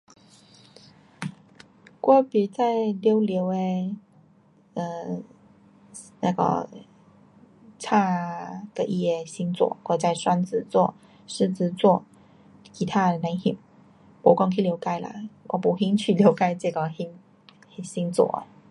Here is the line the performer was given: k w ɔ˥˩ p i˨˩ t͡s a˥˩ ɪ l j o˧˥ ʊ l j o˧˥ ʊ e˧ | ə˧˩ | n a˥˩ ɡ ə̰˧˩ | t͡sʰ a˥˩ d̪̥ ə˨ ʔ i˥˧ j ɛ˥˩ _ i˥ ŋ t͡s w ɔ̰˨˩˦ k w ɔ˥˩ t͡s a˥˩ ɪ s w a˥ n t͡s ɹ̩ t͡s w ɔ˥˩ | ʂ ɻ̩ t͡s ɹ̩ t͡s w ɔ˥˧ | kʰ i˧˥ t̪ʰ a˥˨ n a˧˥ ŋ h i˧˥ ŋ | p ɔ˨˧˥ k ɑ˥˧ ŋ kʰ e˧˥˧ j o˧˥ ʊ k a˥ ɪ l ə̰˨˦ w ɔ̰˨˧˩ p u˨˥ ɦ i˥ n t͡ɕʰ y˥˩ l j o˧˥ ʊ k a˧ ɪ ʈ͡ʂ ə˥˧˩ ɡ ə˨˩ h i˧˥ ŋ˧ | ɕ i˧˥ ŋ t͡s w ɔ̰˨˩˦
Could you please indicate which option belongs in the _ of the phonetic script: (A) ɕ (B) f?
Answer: A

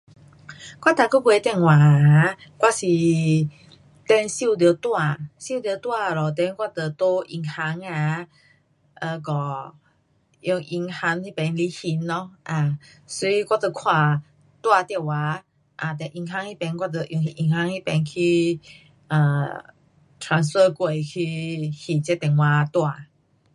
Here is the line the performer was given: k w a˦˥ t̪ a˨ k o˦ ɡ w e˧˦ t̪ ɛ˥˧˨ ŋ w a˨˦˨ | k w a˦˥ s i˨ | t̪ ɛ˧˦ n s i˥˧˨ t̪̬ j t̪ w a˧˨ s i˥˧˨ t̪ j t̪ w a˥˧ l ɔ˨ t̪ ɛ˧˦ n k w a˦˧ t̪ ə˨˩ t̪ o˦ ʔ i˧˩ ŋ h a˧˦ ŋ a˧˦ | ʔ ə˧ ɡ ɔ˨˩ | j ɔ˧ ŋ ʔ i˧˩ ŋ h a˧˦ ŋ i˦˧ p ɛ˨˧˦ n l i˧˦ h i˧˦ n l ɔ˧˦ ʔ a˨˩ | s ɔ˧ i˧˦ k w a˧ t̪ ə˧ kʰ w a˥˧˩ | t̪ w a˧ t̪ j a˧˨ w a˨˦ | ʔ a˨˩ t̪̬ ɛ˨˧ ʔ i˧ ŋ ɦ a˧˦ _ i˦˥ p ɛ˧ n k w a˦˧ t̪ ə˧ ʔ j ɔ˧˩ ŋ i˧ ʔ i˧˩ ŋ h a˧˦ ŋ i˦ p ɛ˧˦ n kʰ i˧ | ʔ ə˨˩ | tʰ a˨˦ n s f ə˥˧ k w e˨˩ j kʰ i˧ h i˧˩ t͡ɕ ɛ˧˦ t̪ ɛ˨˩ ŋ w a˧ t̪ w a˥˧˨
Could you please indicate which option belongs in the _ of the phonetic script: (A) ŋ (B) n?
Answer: A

